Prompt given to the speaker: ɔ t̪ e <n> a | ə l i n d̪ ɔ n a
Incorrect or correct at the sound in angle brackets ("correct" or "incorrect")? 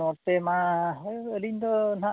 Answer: incorrect